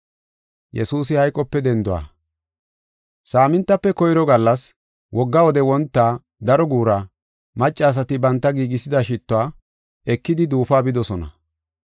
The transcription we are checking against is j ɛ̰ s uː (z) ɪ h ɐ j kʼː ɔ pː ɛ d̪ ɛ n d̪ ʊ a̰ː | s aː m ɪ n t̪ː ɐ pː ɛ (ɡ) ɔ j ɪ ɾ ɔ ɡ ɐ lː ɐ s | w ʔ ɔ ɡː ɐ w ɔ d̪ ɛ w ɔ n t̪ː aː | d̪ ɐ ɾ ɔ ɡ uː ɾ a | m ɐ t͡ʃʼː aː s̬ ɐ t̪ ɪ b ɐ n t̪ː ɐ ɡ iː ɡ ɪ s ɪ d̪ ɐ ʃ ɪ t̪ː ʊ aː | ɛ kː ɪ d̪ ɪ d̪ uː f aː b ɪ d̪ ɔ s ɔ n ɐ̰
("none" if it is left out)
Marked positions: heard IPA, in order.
s, k

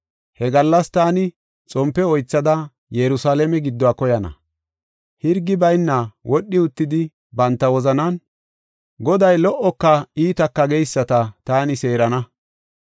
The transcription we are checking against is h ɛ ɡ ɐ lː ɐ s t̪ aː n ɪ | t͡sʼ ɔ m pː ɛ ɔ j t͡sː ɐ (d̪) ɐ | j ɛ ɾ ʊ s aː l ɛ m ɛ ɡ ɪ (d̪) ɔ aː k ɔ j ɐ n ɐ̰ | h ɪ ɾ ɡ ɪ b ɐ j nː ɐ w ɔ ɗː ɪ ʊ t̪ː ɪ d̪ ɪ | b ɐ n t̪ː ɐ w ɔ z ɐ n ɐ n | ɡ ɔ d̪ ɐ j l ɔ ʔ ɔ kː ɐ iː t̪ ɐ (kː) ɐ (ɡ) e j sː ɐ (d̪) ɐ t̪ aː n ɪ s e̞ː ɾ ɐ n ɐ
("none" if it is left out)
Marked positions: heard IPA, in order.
d̪, d̪ː, kː, ɡ, t̪

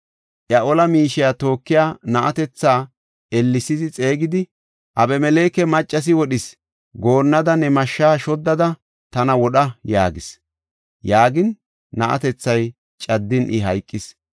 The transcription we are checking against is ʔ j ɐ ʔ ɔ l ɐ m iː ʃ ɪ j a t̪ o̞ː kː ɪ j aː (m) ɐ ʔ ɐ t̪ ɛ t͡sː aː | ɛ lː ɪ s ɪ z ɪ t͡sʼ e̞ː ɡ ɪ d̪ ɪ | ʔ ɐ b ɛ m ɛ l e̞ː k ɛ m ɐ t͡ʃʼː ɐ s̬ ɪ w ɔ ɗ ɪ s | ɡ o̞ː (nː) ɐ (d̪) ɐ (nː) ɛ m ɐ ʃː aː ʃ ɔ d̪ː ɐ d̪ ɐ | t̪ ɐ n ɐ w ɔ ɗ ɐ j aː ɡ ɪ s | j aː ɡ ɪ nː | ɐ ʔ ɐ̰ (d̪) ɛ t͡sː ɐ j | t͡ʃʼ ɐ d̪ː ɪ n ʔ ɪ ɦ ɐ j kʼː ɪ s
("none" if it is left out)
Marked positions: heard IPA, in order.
n, nː, d̪, n, t̪

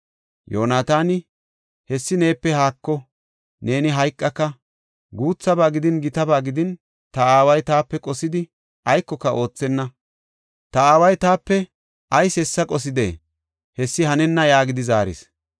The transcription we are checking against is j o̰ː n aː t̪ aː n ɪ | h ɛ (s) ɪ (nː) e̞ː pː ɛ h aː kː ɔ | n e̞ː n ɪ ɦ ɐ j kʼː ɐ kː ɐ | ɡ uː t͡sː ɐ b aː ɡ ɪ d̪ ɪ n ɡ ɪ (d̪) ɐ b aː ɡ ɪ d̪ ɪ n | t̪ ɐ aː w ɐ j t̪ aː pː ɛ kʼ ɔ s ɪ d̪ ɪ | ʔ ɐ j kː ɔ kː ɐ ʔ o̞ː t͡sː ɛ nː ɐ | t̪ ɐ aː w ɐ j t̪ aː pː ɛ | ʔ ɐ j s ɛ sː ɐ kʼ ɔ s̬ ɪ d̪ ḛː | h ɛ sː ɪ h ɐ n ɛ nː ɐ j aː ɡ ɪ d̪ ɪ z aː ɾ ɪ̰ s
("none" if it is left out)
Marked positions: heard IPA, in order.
sː, n, t̪

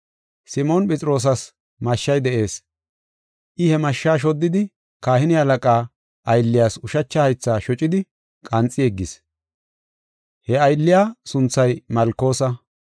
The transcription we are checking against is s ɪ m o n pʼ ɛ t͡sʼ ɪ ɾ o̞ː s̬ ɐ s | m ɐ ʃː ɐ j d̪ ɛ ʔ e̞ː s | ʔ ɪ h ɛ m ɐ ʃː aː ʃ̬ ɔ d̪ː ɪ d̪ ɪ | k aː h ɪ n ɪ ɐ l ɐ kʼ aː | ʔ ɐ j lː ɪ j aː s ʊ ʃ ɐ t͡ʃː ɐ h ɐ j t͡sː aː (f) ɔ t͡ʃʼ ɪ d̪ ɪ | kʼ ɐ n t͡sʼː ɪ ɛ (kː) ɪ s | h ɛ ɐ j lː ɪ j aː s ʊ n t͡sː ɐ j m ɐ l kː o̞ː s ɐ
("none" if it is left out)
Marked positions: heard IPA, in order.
ʃ, ɡː

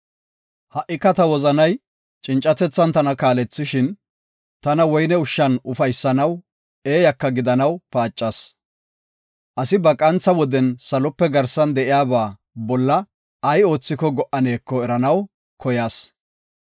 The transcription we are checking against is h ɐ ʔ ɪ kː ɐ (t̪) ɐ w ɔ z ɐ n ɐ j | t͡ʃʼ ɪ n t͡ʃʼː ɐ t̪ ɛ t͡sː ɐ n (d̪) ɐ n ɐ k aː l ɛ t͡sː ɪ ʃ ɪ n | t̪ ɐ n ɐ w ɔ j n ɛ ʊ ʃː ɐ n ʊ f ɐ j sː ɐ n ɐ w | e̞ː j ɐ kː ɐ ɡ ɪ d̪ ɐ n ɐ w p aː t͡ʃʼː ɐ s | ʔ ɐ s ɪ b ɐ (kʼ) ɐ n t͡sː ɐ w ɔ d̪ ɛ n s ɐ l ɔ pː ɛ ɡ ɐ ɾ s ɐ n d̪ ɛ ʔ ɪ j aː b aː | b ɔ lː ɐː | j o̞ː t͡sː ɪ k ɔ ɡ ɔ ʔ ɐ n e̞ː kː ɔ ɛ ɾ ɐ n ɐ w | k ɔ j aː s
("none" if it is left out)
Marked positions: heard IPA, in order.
t̪, t̪, kʼ

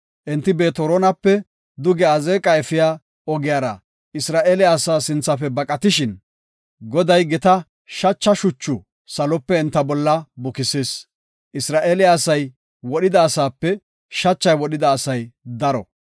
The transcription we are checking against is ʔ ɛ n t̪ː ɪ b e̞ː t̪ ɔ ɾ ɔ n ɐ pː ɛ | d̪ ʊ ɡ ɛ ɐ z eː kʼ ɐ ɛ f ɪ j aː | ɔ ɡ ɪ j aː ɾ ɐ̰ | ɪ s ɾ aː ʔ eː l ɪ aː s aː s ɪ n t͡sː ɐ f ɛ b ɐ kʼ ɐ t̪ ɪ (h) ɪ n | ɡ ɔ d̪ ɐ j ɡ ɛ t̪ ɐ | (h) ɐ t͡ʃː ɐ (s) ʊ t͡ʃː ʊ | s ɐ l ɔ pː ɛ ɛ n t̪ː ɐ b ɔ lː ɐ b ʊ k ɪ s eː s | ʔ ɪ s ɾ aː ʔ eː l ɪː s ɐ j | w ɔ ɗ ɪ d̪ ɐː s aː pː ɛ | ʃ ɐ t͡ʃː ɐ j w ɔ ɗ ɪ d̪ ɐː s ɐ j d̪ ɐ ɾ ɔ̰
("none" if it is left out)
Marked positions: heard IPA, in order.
ʃ, ʃ, ʃ

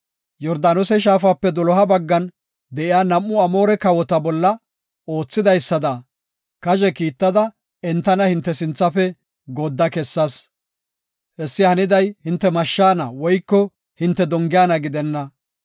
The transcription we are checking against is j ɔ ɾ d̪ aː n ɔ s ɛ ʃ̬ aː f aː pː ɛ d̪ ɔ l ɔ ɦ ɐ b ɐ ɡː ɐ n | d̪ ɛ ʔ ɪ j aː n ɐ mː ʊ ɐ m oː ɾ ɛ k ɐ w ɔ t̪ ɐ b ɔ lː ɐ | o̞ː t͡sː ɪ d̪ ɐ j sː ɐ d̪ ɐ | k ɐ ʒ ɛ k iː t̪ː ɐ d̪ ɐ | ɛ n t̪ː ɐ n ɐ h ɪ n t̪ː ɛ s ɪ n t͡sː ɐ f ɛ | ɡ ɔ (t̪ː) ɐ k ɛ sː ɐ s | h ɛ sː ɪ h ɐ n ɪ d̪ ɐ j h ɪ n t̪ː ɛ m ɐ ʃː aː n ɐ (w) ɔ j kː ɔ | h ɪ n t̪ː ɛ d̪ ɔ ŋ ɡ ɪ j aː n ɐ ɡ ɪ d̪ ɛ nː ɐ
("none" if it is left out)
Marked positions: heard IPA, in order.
d̪ː, w

